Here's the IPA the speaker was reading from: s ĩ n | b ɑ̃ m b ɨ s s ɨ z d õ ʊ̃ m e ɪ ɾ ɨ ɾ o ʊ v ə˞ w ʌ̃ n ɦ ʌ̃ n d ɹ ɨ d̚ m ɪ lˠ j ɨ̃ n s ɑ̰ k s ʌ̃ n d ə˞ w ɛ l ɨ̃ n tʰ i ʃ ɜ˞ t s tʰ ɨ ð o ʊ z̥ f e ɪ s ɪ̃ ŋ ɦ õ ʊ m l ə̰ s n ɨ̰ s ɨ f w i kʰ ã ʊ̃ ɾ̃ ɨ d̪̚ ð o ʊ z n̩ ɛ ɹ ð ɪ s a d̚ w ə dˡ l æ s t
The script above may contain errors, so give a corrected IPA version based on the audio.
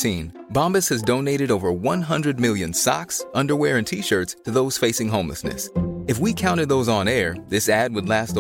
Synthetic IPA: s ĩ n | b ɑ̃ m b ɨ s h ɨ z d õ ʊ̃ n e ɪ ɾ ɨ ɾ o ʊ v ə˞ w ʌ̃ n ɦ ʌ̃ n d ɹ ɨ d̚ m ɪ lˠ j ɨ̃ n s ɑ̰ k s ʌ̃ n d ə˞ w ɛ ɹ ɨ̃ n tʰ i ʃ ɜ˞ t s tʰ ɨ ð o ʊ z̥ f e ɪ s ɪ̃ ŋ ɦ õ ʊ̃ m l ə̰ s n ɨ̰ s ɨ f w i kʰ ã ʊ̃ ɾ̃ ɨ d̪̚ ð o ʊ z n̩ ɛ ɹ ð ɪ s æ d̚ w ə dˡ l æ s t